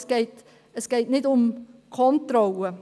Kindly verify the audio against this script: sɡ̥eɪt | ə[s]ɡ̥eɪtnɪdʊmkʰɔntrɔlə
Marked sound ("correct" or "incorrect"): correct